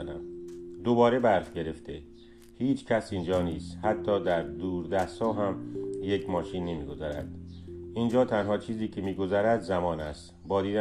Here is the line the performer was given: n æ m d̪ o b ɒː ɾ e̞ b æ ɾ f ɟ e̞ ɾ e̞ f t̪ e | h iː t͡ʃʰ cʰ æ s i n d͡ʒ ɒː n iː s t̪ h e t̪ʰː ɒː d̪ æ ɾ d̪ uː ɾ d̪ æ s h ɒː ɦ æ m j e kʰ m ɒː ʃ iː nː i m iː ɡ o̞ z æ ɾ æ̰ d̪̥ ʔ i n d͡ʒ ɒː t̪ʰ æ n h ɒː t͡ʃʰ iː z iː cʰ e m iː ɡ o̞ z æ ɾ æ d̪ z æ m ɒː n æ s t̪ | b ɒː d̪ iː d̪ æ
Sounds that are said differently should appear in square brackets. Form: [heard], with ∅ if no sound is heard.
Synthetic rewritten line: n æ m d̪ o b ɒː ɾ e̞ b æ ɾ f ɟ e̞ ɾ e̞ f t̪ e | h iː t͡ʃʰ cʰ æ s i n d͡ʒ ɒː n iː s t̪ h [æ] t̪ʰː ɒː d̪ æ ɾ d̪ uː ɾ d̪ æ s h ɒː ɦ æ m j e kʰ m ɒː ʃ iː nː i m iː ɡ o̞ z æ ɾ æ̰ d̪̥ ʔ i n d͡ʒ ɒː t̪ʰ æ n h ɒː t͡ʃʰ iː z iː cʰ e m iː ɡ o̞ z æ ɾ æ d̪ z æ m ɒː n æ s t̪ | b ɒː d̪ iː d̪ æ